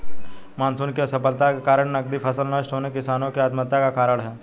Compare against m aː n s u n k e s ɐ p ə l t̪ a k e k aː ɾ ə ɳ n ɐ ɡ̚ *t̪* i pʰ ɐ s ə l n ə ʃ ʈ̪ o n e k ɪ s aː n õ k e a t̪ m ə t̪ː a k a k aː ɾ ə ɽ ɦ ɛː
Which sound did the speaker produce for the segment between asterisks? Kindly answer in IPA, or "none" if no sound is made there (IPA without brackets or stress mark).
d̪